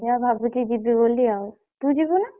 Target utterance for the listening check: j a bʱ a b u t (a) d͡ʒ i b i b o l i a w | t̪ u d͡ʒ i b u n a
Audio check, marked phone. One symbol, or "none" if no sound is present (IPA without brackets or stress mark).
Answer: i